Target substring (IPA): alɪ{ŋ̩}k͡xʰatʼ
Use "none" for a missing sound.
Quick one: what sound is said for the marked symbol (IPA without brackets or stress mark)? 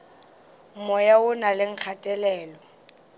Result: ŋ̩